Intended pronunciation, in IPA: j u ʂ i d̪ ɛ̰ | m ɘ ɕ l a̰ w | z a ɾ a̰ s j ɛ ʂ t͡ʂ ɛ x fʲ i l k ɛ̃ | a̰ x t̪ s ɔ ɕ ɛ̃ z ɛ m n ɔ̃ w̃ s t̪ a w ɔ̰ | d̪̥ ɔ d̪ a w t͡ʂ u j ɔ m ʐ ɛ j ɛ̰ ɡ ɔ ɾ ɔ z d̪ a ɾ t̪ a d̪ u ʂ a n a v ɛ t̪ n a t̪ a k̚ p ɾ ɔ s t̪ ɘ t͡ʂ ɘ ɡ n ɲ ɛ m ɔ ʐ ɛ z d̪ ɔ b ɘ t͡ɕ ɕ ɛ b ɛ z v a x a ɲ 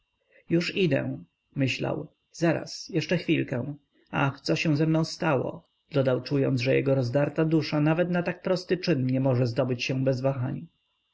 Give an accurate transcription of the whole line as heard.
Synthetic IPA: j u ʂ i d̪ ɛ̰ | m ɘ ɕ l a̰ w | z a ɾ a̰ s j ɛ ʂ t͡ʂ ɛ x fʲ i l k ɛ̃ | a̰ x t̪ s ɔ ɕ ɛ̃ z ɛ m n ɔ̃ w̃ s t̪ a w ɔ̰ | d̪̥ ɔ d̪ a w t͡ʂ u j ɔ n ʐ ɛ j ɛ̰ ɡ ɔ ɾ ɔ z d̪ a ɾ t̪ a d̪ u ʂ a n a v ɛ t̪ n a t̪ a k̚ p ɾ ɔ s t̪ ɘ t͡ʂ ɘ n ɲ ɛ m ɔ ʐ ɛ z d̪ ɔ b ɘ t͡ɕ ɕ ɛ b ɛ z v a x a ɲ